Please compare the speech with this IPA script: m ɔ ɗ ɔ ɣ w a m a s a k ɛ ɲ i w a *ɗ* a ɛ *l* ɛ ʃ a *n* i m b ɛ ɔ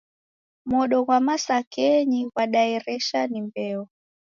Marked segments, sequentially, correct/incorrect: correct, incorrect, correct

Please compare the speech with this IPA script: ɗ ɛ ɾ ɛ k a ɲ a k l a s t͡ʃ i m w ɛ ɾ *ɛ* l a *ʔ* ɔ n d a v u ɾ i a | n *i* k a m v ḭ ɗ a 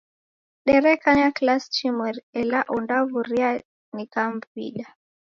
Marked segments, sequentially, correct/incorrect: correct, correct, correct

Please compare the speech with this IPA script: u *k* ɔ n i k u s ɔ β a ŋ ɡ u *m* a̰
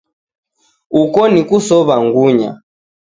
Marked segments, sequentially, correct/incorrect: correct, incorrect

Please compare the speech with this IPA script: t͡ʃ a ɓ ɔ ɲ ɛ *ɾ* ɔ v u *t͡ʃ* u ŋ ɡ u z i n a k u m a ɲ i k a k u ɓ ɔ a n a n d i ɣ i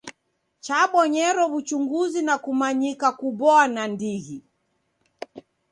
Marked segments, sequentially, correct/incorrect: correct, correct

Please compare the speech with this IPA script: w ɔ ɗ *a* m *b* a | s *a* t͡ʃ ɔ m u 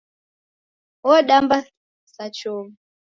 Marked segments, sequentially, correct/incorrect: correct, correct, correct

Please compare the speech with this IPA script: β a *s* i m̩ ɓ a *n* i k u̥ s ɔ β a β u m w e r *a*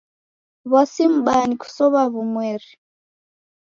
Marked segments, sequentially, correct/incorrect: correct, correct, incorrect

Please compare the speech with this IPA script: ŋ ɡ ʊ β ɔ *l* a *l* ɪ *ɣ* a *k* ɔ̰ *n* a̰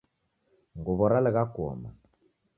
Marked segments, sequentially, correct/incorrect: incorrect, correct, correct, correct, incorrect

